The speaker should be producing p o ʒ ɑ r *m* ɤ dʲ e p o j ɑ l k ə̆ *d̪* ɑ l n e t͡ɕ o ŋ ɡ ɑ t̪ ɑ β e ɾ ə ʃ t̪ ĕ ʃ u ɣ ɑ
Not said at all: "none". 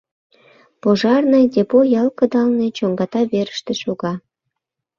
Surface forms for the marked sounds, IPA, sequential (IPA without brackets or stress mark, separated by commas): n, d̪